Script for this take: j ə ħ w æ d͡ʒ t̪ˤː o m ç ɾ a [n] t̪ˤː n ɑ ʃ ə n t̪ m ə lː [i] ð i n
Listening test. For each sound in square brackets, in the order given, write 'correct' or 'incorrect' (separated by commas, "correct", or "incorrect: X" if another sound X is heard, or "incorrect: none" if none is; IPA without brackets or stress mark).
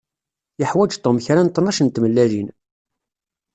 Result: correct, incorrect: æ